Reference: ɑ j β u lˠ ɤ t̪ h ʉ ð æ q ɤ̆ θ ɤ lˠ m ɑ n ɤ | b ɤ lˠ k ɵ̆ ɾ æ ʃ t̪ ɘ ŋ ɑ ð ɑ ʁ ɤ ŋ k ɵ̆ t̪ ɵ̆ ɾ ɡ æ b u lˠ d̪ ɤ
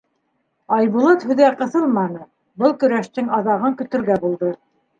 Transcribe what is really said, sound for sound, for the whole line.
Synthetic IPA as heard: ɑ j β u lˠ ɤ t̪ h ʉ ð æ q ɤ̆ θ ɤ lˠ m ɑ n ɤ | b ɤ lˠ k ɵ̆ ɾ æ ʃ t̪ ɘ ŋ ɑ ð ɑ ʁ ɤ ŋ k ɵ̆ t̪ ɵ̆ ɾ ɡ æ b u lˠ d̪ ɤ